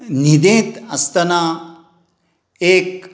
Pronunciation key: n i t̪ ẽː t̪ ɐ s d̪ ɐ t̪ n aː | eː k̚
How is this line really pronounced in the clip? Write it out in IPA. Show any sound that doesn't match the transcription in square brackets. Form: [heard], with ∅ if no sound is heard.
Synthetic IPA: n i [d̪] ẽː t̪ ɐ s [t̪] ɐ [∅] n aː | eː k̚

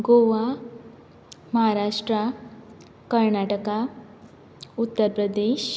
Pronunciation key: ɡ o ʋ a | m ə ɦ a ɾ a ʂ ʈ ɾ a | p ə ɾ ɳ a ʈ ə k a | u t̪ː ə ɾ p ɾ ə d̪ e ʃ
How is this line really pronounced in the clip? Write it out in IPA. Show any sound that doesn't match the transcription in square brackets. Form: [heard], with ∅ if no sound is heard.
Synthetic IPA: ɡ o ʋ a | m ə ɦ a ɾ a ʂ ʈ ɾ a | [k] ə ɾ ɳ a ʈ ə k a | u t̪ː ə ɾ p ɾ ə d̪ e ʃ

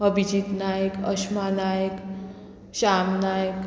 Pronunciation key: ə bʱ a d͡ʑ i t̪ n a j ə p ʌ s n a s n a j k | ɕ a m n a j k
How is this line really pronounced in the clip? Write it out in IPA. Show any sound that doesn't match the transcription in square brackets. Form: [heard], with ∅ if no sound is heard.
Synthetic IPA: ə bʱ [i] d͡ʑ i t̪ n a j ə [k] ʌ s [m] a [∅] n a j k | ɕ a m n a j k

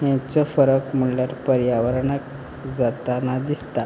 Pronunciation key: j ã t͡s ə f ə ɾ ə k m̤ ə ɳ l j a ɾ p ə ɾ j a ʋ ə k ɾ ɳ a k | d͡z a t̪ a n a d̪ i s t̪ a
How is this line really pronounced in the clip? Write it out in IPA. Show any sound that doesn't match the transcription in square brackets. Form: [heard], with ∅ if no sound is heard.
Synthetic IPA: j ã t͡s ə f ə ɾ ə k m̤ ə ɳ l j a ɾ p ə ɾ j a ʋ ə [∅] ɾ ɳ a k | d͡z a t̪ a n a d̪ i s t̪ a

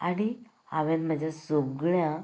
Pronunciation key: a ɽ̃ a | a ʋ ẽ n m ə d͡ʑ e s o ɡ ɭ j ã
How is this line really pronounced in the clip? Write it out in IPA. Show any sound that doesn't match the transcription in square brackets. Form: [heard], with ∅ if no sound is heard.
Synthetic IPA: a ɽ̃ [i] | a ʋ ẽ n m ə d͡ʑ [a] s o ɡ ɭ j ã

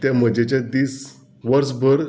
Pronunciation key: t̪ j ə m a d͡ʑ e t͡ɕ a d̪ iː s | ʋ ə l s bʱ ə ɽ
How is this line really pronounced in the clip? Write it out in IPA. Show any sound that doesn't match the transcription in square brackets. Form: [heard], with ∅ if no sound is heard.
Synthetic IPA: t̪ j [a] m [ə] d͡ʑ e t͡ɕ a d̪ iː s | ʋ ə [ɾ] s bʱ ə [ɾ]

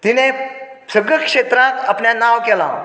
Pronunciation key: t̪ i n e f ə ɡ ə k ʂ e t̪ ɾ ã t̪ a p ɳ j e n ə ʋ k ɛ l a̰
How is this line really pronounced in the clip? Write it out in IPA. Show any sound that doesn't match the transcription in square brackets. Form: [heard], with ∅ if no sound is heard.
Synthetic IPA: t̪ i n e [s] ə ɡ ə k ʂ e t̪ ɾ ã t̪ a p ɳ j [a] n [a] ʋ k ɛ l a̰

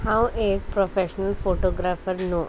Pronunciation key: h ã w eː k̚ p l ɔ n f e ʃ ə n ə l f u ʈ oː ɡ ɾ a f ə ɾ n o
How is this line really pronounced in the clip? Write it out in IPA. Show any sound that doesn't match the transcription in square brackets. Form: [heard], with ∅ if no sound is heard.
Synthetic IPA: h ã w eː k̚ p [ɾ] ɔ [∅] f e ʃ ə n ə l f [o] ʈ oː ɡ ɾ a f ə ɾ n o

